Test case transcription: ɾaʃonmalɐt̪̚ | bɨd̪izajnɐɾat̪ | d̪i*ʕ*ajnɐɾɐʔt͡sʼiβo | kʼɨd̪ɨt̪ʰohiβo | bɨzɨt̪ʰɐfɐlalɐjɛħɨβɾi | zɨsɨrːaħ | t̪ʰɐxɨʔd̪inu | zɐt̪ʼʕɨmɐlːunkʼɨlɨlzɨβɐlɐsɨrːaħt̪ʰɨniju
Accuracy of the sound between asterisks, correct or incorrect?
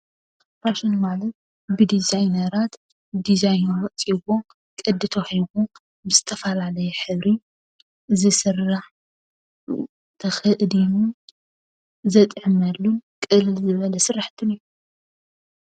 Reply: incorrect